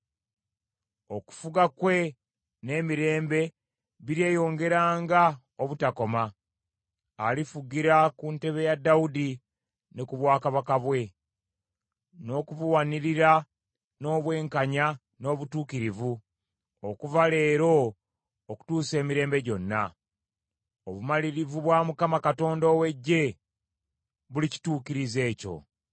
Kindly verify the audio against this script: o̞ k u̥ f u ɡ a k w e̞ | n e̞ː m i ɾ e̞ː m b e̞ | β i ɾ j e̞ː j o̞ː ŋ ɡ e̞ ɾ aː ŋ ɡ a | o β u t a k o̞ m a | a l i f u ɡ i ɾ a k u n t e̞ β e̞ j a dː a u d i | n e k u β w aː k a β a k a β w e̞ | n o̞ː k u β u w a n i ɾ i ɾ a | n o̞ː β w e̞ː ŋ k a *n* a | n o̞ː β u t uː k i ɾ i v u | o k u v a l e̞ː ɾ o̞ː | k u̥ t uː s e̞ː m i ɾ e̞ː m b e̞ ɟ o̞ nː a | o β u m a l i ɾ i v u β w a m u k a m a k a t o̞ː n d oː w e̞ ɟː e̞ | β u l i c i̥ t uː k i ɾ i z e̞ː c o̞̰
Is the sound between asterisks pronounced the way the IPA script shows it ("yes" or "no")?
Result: no